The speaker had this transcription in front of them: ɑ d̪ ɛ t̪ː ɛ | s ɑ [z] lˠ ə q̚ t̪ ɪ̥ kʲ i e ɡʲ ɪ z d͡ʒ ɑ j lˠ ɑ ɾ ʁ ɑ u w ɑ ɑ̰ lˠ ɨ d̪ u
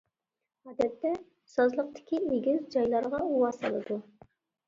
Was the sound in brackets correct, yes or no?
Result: yes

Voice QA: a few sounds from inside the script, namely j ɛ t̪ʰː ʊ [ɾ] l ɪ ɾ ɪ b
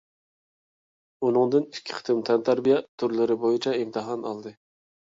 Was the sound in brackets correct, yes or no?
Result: yes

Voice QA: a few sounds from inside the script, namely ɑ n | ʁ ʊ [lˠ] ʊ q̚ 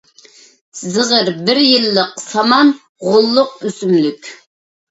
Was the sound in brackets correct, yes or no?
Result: no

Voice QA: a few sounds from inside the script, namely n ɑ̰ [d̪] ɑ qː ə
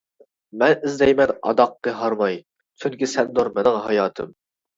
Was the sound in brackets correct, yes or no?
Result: yes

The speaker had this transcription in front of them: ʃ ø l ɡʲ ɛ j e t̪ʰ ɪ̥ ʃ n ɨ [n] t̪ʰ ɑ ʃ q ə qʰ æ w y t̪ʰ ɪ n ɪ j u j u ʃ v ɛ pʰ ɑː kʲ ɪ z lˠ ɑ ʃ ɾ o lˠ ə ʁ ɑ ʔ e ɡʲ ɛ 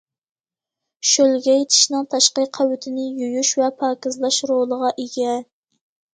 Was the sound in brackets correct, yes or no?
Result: no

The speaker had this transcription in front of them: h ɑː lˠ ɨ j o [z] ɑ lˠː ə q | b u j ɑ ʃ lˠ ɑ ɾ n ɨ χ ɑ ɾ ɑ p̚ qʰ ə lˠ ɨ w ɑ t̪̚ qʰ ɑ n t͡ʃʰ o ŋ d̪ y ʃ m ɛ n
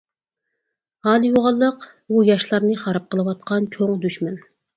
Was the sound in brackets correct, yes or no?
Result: no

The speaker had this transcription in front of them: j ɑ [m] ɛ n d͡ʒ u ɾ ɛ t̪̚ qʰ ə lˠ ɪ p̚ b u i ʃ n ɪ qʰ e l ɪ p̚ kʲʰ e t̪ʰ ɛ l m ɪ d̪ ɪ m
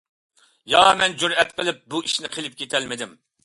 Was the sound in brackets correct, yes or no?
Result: yes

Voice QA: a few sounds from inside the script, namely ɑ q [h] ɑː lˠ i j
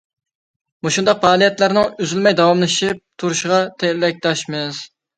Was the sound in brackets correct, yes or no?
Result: no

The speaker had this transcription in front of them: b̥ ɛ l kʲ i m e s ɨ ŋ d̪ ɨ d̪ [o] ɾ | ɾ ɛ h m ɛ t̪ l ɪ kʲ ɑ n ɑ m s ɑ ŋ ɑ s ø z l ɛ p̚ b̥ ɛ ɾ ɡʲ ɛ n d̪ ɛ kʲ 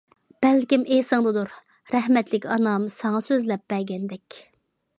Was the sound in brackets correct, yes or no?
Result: no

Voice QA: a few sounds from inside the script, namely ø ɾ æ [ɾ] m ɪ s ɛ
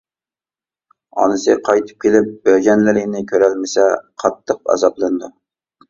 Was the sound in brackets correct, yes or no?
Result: no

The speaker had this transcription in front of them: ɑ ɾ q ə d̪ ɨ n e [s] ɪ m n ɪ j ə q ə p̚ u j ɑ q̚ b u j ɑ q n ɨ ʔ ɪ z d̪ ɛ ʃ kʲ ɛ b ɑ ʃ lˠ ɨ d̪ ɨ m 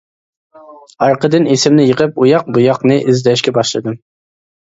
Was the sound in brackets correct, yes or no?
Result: yes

